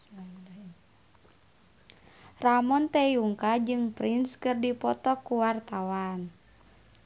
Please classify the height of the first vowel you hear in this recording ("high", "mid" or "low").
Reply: low